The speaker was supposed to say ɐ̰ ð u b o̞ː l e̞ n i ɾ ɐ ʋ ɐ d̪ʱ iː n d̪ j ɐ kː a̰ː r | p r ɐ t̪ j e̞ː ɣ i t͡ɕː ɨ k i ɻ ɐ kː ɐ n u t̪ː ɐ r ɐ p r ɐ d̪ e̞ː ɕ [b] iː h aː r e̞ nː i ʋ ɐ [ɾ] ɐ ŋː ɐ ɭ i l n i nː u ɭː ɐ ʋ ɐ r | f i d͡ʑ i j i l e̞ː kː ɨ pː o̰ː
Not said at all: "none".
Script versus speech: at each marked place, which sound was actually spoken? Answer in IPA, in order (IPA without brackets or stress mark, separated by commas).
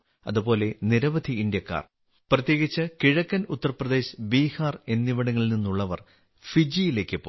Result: b, ɽ